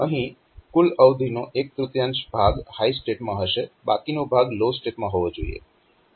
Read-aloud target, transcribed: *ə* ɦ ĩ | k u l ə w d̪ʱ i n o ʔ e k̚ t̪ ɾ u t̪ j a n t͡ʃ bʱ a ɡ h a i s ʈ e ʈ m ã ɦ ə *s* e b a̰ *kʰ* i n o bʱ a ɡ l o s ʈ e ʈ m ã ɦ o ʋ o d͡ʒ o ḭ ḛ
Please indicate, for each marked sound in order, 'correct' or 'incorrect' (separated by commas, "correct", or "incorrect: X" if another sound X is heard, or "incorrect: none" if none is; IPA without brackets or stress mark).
correct, incorrect: ʃ, incorrect: k